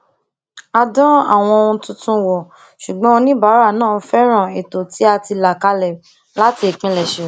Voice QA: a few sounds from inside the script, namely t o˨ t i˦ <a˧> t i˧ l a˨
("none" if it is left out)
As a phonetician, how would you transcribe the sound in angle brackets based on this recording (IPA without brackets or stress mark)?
a˧